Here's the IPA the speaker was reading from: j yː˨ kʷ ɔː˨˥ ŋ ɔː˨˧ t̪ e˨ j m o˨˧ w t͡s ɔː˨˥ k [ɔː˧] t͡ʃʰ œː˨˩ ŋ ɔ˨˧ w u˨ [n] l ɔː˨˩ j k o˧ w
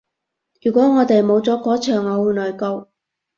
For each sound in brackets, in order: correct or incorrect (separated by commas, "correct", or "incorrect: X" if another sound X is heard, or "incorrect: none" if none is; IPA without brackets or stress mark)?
incorrect: ɔː˨˥, correct